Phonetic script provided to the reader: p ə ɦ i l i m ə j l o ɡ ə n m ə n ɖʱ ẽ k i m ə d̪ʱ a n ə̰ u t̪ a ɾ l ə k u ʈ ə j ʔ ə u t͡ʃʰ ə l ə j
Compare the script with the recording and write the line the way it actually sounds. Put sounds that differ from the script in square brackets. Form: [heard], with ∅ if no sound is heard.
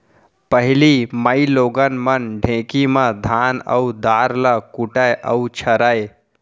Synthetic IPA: p ə ɦ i l i m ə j l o ɡ ə n m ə n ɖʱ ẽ k i m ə d̪ʱ a n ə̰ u [d̪] a ɾ l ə k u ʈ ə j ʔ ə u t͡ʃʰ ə [ɾ] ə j